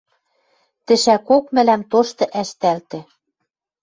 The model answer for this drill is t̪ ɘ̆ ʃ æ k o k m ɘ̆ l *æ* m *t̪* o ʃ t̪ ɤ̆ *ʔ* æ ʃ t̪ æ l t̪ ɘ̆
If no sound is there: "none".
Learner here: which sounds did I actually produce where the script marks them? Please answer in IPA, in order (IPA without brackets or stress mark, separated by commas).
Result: æ, t̪, ʔ